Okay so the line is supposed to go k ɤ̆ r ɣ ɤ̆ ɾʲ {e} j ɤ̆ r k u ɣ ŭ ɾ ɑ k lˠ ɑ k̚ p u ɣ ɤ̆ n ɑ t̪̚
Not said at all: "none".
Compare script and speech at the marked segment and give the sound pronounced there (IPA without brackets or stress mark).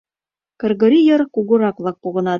i